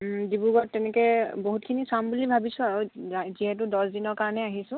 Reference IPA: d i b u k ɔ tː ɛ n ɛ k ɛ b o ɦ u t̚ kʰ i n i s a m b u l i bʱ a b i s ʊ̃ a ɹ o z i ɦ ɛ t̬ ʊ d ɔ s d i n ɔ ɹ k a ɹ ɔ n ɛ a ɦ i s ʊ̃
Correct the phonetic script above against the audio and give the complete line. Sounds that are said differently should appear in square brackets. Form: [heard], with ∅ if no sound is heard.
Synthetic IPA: d i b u [ɡ] ɔ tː ɛ n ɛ k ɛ b o ɦ u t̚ kʰ i n i s a m b u l i bʱ a b i s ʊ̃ a ɹ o z i ɦ ɛ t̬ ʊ d ɔ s d i n ɔ ɹ k a ɹ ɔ n ɛ a ɦ i s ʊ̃